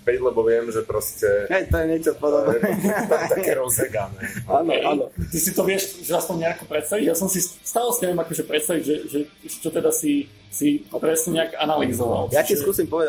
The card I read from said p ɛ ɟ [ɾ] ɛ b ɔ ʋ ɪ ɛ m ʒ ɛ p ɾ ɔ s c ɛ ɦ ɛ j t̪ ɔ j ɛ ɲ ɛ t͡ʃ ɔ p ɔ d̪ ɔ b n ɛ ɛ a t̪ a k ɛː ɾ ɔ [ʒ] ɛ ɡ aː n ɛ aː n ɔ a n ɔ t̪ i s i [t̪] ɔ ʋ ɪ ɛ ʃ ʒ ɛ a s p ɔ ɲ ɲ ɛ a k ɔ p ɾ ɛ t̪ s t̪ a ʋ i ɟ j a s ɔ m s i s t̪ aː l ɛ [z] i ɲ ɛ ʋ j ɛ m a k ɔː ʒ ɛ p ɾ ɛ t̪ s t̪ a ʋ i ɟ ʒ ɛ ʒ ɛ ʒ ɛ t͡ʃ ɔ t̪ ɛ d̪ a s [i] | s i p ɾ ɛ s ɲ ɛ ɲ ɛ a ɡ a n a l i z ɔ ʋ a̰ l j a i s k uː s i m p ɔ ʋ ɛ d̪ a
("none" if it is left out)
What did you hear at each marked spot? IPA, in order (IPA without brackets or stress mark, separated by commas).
l, z, t̪, s, i